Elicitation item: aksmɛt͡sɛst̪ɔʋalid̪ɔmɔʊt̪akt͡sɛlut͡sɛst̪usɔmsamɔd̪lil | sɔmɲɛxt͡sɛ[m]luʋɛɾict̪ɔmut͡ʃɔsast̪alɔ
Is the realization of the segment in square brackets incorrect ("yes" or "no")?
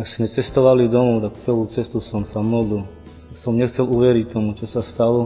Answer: yes